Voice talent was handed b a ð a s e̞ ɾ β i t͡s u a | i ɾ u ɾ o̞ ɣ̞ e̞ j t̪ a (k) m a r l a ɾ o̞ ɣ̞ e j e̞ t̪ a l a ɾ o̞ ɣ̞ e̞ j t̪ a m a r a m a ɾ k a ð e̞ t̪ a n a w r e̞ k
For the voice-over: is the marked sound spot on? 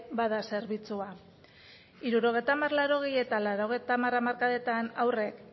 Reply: no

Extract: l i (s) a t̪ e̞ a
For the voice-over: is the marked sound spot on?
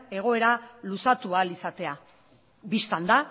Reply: yes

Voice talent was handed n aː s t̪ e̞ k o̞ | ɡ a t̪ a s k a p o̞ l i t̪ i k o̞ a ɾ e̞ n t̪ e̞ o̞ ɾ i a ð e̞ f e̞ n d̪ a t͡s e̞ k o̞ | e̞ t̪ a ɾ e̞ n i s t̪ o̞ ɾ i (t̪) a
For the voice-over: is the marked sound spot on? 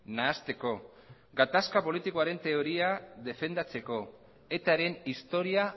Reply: no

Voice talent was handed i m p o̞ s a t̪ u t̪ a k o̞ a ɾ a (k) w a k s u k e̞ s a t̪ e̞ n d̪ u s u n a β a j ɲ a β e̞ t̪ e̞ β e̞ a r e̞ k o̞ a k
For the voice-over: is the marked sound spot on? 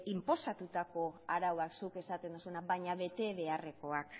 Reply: no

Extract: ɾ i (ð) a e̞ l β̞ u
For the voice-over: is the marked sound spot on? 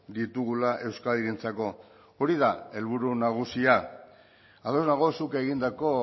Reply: yes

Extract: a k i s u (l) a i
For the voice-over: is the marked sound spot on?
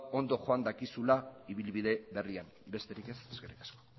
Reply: yes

